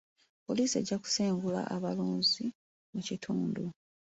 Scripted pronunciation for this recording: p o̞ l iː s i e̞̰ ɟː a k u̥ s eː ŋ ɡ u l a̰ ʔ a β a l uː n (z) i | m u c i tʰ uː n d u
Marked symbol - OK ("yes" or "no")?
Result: yes